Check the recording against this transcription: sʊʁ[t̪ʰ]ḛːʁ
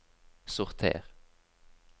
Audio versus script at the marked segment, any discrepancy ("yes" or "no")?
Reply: no